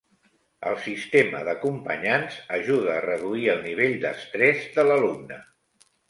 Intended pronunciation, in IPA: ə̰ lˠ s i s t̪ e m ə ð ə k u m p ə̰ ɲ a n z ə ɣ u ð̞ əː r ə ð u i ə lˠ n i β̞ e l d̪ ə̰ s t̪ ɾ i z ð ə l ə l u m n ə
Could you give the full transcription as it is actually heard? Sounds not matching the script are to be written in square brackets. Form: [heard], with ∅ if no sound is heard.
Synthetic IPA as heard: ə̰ lˠ s i s t̪ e m ə ð ə k u m p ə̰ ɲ a n z ə [ʒ] u ð̞ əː r ə ð u i ə lˠ n i β̞ e [ʎ] d̪ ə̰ s t̪ ɾ [ɛ] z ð ə l ə l u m n ə